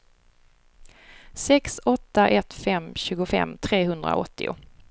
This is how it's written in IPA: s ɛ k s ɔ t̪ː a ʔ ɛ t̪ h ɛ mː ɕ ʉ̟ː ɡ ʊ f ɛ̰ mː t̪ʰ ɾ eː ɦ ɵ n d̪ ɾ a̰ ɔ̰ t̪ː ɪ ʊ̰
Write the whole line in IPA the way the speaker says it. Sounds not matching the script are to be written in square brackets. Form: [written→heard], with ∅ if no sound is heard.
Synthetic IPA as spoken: s ɛ k s ɔ t̪ː a ʔ ɛ t̪ [h→f] ɛ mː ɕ ʉ̟ː ɡ ʊ f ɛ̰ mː t̪ʰ ɾ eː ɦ ɵ n d̪ ɾ a̰ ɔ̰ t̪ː ɪ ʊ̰